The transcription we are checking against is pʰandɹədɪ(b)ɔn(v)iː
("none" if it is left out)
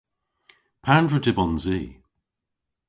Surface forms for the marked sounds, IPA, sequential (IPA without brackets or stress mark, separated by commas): b, z